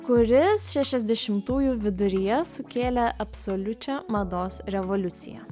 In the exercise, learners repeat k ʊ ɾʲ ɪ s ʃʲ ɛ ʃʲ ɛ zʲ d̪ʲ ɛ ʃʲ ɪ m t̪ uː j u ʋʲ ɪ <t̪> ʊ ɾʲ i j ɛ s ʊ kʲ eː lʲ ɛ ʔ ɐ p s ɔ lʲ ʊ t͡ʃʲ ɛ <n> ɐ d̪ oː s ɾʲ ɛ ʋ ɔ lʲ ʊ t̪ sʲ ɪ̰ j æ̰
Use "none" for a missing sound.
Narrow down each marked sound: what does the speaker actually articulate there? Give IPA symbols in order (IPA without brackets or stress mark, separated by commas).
d̪, m